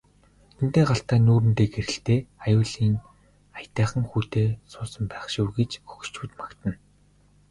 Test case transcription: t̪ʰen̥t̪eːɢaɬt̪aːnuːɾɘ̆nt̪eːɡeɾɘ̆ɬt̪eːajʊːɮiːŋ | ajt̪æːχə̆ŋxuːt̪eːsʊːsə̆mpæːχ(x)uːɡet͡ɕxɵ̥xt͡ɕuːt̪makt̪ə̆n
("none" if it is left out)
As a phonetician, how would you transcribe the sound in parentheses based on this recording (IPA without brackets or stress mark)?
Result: ʃ